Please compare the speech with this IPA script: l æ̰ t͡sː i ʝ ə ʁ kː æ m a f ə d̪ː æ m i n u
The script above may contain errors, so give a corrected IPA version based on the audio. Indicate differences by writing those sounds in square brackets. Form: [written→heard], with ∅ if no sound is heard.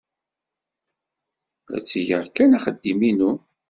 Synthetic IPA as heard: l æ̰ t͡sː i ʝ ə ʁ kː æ [m→n] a [f→χ] ə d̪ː [æ→i] m i n u